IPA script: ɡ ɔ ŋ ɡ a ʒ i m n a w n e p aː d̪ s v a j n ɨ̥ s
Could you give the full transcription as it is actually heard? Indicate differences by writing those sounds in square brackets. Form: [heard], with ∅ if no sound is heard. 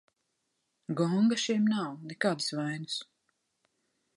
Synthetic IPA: ɡ ɔ ŋ ɡ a [ʃ] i m n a w n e [k] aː d̪ s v a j n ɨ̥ s